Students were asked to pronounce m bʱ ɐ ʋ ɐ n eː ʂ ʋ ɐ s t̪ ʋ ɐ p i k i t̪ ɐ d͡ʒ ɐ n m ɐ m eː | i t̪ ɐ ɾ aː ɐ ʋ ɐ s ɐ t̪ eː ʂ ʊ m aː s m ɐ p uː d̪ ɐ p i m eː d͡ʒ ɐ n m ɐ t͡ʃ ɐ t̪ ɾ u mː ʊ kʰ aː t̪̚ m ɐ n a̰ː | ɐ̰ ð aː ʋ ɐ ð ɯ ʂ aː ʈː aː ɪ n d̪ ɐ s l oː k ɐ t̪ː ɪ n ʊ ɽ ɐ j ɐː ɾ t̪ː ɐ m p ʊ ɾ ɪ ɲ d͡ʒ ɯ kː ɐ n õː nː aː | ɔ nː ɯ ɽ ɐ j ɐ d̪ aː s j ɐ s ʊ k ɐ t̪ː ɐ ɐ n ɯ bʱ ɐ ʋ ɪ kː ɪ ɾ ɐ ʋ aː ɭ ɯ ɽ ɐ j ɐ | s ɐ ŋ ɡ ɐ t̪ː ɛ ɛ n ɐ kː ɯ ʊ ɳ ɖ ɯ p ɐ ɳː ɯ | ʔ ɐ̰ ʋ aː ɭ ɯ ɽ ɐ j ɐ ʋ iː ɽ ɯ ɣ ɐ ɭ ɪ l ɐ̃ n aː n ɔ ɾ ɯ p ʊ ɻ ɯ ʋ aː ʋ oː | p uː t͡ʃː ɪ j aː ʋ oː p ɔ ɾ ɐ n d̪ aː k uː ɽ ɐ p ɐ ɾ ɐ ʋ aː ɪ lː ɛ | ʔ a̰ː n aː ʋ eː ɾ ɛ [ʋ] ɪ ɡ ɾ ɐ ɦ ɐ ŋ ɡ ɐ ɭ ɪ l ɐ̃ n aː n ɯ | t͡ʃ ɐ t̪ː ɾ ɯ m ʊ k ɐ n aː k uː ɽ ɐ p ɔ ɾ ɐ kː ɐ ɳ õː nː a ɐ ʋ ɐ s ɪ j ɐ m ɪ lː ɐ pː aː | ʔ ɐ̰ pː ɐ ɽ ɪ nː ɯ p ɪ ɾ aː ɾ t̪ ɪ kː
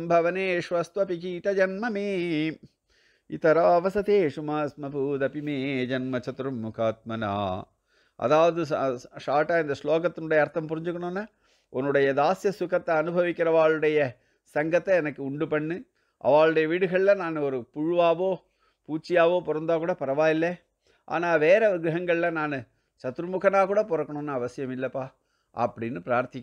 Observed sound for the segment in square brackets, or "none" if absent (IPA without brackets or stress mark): ʋ